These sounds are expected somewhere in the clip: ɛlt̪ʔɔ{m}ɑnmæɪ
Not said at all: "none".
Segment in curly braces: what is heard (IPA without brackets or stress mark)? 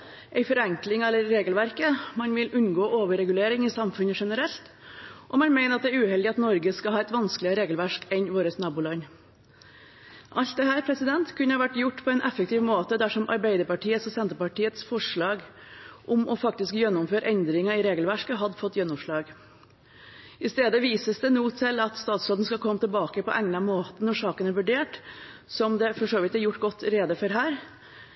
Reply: m